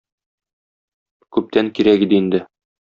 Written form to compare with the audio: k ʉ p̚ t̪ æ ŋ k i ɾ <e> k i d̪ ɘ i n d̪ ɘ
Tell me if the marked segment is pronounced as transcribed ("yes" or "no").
no